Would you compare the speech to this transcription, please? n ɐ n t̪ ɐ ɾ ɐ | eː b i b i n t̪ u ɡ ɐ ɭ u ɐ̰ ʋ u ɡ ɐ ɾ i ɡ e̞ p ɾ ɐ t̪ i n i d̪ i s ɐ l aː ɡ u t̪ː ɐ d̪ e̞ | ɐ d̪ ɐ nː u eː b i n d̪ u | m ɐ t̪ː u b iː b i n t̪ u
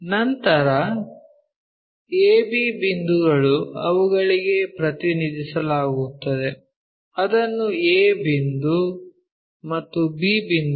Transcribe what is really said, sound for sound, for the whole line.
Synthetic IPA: n ɐ n t̪ ɐ ɾ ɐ | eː b i b i n d̪ u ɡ ɐ ɭ u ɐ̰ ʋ u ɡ ɐ ɭ i ɡ e̞ p ɾ ɐ t̪ i n i d̪ i s ɐ l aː ɡ u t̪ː ɐ d̪ e̞ | ɐ d̪ ɐ nː u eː b i n d̪ u | m ɐ t̪ː u b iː b i n d̪ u